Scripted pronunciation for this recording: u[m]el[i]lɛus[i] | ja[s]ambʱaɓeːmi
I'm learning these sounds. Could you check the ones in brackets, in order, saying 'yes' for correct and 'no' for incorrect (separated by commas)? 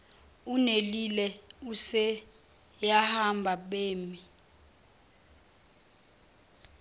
no, yes, no, no